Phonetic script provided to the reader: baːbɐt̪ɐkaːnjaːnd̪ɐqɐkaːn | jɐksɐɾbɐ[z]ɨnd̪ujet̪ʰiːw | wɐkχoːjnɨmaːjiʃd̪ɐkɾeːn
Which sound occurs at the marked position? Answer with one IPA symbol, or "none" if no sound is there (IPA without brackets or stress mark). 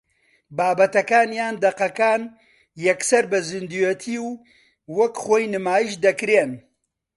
z